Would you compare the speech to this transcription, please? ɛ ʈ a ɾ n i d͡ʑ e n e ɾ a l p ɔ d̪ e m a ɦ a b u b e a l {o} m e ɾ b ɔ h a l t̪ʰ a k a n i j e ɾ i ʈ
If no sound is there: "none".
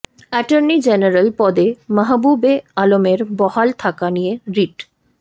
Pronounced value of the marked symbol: o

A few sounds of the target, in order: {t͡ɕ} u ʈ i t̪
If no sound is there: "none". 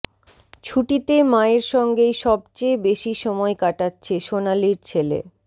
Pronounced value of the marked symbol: t͡ɕʰ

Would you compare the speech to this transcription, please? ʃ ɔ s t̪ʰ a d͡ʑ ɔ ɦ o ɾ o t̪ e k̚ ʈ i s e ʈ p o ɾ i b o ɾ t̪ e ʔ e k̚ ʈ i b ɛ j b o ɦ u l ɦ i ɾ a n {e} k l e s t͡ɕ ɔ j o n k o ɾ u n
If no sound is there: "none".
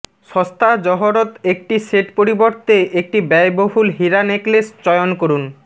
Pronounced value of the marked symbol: e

